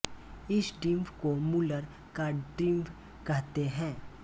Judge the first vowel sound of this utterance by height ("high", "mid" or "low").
high